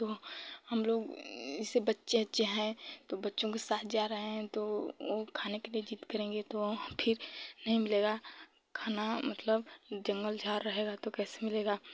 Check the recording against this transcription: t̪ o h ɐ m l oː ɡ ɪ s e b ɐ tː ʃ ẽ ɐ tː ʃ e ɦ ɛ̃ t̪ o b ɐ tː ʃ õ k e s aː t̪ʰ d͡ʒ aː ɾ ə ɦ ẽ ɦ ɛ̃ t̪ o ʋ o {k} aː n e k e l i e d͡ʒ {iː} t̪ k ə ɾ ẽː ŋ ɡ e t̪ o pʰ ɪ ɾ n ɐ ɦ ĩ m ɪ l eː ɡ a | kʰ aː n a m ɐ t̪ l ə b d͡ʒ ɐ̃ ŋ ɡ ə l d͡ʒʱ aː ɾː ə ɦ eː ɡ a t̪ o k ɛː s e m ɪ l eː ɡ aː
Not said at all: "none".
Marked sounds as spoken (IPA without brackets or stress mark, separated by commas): kʰ, iː